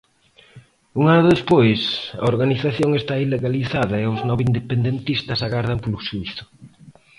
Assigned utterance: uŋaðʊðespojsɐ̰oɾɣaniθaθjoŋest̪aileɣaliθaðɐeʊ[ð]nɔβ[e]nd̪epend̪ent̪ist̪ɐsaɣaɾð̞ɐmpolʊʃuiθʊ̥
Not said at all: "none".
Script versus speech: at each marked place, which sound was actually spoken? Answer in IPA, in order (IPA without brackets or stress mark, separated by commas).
z, i